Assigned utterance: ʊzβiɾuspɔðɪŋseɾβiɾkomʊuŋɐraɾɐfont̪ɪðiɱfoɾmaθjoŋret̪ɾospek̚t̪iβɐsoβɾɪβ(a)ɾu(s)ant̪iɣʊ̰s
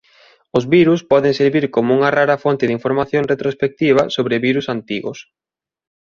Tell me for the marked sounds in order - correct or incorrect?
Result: incorrect: i, correct

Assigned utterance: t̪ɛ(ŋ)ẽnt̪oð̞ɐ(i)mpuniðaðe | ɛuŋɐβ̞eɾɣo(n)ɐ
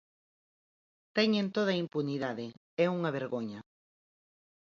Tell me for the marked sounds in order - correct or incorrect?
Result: incorrect: ɲ, correct, incorrect: ɲ

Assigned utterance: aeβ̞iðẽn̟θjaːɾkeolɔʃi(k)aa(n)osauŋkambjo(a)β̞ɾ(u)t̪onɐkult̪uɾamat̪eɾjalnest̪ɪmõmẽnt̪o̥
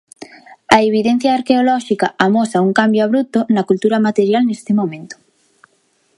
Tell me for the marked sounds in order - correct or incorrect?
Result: correct, incorrect: m, correct, correct

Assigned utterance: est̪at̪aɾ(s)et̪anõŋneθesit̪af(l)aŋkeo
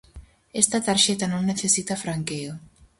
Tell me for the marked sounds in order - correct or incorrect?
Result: incorrect: ʃ, incorrect: ɾ

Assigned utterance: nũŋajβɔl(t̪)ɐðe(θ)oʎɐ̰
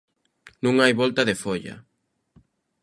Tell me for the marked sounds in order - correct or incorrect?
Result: correct, incorrect: f

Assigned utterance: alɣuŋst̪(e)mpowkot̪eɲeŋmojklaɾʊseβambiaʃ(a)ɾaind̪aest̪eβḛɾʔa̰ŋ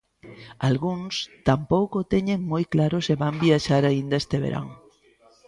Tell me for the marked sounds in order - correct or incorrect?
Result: incorrect: a, correct

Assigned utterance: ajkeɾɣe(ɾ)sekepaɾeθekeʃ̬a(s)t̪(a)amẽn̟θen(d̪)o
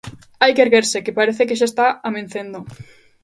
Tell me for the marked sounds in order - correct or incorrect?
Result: correct, correct, correct, correct

